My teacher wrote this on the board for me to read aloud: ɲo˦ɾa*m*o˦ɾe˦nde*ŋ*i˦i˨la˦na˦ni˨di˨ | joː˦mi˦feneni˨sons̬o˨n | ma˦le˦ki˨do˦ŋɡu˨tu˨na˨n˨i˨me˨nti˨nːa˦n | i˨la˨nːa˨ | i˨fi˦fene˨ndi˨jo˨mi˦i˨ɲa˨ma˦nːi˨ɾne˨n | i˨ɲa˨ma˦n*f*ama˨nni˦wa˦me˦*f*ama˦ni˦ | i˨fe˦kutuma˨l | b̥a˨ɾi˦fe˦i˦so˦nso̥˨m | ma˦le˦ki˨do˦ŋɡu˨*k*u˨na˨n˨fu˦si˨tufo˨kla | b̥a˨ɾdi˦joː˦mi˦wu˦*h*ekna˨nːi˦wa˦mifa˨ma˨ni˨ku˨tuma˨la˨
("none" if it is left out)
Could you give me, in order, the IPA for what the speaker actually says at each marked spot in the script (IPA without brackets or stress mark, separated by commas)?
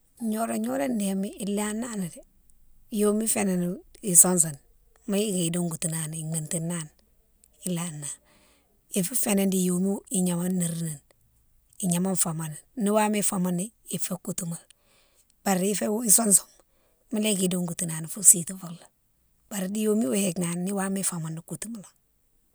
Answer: ɲ, m, f, f, t, h